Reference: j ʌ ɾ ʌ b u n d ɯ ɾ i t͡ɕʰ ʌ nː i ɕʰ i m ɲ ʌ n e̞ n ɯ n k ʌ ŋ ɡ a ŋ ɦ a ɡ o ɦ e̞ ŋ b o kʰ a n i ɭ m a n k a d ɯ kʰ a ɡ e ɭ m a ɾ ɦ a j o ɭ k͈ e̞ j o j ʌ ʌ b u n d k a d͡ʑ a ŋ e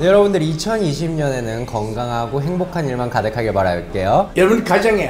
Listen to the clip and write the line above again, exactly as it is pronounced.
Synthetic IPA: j ʌ ɾ ʌ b u n d ɯ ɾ i t͡ɕʰ ʌ n i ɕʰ i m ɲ ʌ n e̞ n ɯ n k ʌ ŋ ɡ a ŋ ɦ a ɡ o ɦ e̞ ŋ b o kʰ a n i ɭ m a n k a d ɯ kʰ a ɡ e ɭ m a ɾ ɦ a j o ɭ k͈ e̞ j o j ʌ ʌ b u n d k a d͡ʑ a ŋ e